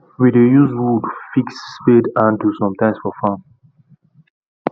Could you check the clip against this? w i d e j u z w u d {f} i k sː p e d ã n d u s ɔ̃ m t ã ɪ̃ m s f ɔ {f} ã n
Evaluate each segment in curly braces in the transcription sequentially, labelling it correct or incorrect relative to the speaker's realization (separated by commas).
correct, correct